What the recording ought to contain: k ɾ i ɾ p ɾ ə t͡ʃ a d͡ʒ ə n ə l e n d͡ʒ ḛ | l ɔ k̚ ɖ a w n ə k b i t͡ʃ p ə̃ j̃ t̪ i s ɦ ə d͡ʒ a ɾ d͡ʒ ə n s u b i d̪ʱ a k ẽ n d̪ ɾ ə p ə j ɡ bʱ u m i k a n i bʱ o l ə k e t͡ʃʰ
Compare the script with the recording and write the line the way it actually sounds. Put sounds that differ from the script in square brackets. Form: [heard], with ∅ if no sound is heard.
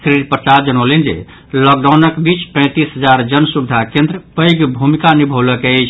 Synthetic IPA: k ɾ i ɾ p ɾ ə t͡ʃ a d͡ʒ ə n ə l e n d͡ʒ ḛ | l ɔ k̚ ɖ a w n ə k b i t͡ʃ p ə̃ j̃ t̪ i s ɦ ə d͡ʒ a ɾ d͡ʒ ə n s u b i d̪ʱ a k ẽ n d̪ ɾ ə p ə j ɡ bʱ u m i k a n i bʱ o l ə k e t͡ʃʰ